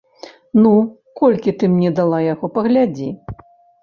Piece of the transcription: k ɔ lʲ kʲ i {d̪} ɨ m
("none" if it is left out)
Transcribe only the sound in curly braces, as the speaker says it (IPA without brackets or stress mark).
t̪